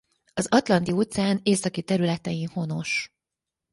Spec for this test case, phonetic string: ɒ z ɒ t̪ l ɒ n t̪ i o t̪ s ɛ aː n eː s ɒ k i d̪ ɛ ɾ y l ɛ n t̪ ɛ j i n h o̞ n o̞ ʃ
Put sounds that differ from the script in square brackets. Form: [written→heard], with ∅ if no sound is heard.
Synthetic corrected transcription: ɒ z ɒ t̪ l ɒ n t̪ i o t̪ s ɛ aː n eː s ɒ k i [d̪→t̪] ɛ ɾ y l ɛ [n→∅] t̪ ɛ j i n h o̞ n o̞ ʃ